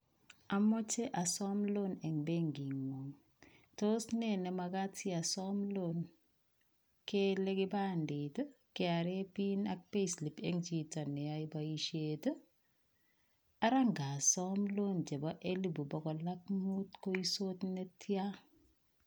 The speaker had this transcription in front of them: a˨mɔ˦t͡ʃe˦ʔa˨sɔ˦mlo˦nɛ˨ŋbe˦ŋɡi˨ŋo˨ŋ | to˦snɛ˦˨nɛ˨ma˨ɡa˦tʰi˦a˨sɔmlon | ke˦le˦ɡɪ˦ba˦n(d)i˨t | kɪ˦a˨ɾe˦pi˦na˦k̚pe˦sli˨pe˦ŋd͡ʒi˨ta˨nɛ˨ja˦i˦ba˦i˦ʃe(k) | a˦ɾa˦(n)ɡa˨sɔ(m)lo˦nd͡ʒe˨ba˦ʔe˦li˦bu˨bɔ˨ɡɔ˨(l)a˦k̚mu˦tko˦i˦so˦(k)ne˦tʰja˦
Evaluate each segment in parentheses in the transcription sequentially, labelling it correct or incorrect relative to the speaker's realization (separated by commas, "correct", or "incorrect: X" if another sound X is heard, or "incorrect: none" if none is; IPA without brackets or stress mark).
correct, incorrect: t, incorrect: ŋ, correct, correct, incorrect: t